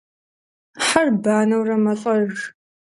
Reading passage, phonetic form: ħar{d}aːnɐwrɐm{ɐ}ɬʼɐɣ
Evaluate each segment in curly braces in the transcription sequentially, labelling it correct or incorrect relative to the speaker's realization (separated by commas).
incorrect, correct